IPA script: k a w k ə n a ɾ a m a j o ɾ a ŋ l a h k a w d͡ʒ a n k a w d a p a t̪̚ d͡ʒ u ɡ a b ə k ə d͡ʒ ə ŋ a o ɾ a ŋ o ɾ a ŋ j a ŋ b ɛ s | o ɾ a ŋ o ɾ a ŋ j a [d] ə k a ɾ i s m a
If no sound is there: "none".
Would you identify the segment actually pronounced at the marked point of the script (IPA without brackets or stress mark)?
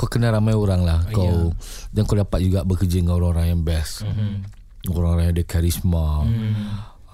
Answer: d